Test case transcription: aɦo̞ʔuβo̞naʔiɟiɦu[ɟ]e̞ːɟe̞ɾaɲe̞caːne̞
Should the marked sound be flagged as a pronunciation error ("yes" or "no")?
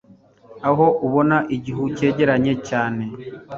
yes